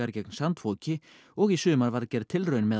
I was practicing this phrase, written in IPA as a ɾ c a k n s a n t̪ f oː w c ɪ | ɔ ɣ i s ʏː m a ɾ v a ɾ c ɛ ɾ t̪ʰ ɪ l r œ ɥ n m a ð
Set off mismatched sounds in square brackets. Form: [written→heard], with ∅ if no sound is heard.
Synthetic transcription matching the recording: a ɾ c [a→ɛ] k n s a n t̪ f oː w c ɪ | ɔ ɣ i s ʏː m a ɾ v a ɾ c ɛ ɾ t̪ʰ ɪ l r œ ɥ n m [a→ɛ] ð